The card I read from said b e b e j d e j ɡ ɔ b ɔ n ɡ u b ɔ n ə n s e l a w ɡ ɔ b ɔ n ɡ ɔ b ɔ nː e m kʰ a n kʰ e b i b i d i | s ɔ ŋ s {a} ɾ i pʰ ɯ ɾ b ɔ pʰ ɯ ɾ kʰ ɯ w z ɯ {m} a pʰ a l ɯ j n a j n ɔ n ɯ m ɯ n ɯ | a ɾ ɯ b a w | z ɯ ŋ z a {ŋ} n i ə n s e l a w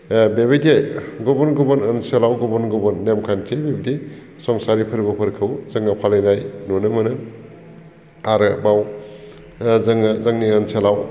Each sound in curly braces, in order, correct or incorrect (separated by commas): correct, incorrect, correct